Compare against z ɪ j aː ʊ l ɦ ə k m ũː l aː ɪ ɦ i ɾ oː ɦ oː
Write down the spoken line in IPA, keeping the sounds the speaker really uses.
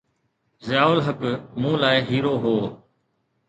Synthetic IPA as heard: z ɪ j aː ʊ l ɦ ə k m ũː l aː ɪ ɦ iː ɾ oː ɦ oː